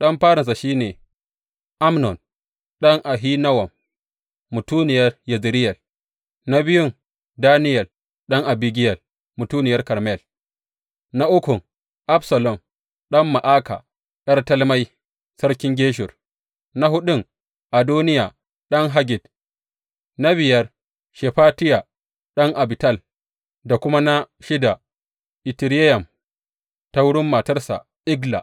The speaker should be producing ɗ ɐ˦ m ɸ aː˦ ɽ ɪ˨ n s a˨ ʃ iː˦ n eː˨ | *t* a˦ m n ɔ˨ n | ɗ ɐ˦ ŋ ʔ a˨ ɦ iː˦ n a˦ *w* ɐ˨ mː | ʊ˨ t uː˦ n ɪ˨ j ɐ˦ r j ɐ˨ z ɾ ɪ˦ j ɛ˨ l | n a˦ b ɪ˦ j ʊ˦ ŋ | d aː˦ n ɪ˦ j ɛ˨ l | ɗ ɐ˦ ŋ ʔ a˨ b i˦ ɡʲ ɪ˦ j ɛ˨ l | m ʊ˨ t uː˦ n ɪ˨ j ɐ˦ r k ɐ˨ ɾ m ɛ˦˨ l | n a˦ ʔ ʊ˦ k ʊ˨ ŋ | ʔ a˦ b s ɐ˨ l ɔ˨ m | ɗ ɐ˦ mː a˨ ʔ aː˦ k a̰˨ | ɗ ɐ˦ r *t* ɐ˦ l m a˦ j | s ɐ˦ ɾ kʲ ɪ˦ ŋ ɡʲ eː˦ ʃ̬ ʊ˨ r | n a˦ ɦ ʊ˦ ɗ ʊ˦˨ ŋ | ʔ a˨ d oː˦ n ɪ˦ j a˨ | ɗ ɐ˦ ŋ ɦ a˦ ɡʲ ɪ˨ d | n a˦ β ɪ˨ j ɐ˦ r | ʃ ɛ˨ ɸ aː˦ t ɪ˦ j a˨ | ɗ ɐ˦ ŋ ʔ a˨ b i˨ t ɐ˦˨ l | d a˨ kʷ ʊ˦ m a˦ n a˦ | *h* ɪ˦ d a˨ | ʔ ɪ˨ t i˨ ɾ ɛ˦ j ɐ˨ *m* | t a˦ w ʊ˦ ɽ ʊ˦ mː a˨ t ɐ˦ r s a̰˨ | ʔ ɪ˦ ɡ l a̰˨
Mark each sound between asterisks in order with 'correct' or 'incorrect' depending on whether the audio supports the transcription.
incorrect: ʔ, correct, correct, incorrect: ʃ, correct

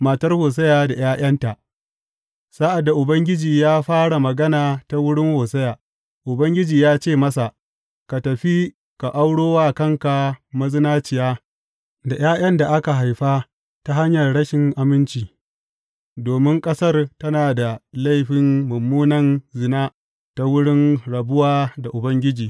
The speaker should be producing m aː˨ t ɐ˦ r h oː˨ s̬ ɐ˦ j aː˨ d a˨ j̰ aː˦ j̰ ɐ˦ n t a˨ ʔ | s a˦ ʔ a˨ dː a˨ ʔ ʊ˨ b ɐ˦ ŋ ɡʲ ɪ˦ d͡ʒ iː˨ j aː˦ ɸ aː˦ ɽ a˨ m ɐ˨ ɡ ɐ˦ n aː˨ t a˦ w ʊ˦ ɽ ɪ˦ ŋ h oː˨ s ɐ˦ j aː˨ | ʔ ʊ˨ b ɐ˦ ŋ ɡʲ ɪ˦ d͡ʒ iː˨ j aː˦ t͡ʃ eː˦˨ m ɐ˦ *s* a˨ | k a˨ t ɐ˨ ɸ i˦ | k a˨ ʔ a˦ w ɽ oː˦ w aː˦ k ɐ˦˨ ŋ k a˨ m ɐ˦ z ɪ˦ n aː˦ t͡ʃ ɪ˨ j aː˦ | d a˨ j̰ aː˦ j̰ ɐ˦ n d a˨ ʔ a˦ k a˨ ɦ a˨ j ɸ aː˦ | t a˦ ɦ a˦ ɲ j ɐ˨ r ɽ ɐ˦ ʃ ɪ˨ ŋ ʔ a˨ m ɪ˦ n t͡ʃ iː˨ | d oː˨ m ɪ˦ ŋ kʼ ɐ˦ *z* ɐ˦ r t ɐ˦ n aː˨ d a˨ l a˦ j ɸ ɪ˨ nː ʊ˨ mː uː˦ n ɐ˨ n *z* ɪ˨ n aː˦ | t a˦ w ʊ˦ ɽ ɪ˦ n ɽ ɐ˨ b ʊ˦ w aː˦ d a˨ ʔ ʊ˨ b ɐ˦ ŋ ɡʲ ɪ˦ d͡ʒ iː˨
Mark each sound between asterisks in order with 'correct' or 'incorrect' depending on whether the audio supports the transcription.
correct, incorrect: s, correct

